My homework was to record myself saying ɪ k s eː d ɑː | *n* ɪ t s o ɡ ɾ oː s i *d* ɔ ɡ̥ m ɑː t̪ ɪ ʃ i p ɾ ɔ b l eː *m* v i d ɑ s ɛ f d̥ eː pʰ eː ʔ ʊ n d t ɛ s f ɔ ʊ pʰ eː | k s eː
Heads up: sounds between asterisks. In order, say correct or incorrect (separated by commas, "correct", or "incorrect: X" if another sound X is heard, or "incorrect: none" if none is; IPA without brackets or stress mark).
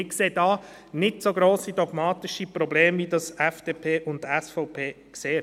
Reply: correct, correct, correct